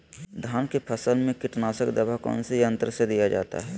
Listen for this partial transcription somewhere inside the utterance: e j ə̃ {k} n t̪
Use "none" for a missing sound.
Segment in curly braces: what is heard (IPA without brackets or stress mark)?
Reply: none